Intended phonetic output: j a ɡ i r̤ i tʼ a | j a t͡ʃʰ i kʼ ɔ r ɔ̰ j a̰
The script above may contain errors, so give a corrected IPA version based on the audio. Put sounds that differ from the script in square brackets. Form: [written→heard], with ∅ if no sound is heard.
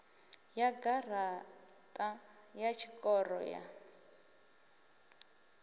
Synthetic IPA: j a ɡ [i→a] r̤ [i→a] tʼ a | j a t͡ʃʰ i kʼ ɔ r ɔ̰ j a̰